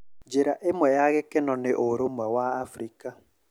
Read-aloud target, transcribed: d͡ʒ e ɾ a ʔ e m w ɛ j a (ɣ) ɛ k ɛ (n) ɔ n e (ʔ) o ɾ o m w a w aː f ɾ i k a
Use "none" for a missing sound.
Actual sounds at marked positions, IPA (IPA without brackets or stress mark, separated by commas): ɣ, n, ʔ